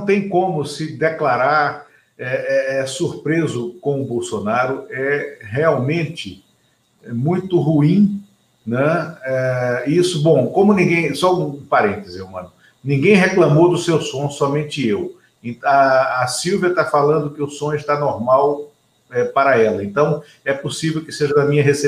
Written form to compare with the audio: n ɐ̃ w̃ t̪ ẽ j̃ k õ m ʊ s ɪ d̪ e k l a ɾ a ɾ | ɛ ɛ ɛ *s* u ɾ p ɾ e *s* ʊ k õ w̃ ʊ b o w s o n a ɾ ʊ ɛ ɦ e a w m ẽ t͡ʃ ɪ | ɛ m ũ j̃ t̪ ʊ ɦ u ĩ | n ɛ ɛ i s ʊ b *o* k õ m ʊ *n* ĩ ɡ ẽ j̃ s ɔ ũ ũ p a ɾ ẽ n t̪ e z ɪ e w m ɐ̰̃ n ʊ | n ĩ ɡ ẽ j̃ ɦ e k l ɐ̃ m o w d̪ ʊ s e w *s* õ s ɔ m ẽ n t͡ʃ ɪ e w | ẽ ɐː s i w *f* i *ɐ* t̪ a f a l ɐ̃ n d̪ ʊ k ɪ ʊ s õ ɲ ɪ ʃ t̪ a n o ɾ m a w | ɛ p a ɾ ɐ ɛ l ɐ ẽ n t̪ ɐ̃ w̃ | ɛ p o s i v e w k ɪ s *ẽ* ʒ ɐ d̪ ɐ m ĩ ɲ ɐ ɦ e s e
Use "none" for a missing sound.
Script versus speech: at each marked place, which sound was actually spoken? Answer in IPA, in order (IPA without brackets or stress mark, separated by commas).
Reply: s, z, õ, n, s, v, ɐ, e